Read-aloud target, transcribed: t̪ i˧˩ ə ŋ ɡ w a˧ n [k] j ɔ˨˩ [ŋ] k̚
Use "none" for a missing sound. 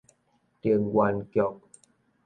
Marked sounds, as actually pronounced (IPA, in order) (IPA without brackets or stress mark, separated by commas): k, none